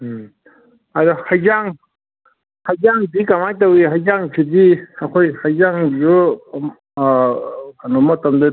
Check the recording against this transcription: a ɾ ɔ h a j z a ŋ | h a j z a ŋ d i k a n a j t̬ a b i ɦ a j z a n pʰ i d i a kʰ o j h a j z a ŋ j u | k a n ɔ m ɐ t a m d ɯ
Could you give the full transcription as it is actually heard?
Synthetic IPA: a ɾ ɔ h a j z a ŋ | h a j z a ŋ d i k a m a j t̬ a w i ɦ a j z a ŋ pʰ i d i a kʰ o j h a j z a ŋ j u | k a n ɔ m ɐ t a m d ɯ